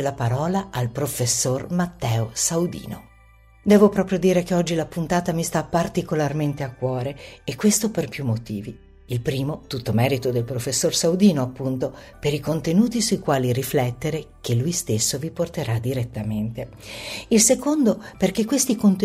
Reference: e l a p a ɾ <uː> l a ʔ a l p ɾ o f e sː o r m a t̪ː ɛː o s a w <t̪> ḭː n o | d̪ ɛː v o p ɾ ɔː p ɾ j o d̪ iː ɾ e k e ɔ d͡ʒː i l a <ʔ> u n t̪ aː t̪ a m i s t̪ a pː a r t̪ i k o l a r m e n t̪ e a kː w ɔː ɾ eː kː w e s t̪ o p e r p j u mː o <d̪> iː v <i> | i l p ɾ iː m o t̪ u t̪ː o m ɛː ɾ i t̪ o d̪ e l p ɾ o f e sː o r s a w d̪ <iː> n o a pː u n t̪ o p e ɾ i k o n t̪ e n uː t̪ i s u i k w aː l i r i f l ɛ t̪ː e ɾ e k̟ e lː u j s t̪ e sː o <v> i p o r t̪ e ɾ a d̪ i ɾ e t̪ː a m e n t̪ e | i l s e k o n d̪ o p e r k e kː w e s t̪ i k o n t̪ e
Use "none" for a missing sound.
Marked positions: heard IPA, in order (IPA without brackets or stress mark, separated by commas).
ɔː, d̪, p, t̪, i, iː, v